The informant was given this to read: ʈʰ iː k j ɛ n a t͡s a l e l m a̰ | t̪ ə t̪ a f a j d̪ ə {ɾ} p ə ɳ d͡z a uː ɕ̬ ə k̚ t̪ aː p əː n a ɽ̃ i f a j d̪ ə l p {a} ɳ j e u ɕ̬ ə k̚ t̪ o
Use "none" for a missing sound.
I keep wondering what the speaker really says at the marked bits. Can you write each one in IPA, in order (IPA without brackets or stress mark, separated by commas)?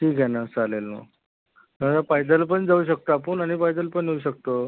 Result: l, ə